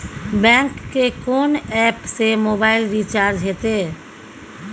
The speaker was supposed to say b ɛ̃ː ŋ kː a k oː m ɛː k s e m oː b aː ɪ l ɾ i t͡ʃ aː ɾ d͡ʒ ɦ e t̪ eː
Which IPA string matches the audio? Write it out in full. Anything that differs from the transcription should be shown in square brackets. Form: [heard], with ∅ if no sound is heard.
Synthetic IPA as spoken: b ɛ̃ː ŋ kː [e] k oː [n] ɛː [p] s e m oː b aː ɪ l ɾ i t͡ʃ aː ɾ d͡ʒ ɦ e t̪ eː